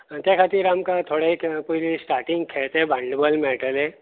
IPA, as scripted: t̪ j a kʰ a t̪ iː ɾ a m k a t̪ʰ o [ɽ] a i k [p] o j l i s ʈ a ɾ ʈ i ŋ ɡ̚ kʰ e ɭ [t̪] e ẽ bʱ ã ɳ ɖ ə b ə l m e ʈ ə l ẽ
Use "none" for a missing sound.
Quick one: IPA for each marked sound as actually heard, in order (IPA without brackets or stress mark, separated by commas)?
ɽ, p, t̪